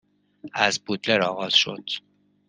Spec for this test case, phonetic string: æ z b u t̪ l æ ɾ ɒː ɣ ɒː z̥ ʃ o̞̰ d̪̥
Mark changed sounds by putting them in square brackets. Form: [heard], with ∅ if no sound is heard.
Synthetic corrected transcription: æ z b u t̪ l [e] ɾ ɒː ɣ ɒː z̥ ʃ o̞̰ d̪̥